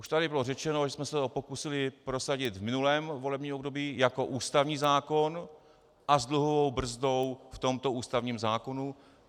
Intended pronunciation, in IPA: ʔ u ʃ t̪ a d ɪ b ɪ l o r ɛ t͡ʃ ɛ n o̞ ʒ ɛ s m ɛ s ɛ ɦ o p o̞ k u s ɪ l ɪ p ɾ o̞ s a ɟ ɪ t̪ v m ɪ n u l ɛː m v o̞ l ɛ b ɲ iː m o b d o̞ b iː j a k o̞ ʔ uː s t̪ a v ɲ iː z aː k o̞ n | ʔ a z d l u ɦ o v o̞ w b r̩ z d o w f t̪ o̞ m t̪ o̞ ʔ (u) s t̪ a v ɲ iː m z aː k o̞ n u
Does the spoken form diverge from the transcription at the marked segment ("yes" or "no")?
yes